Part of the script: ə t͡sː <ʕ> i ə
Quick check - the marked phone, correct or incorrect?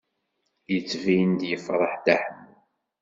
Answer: incorrect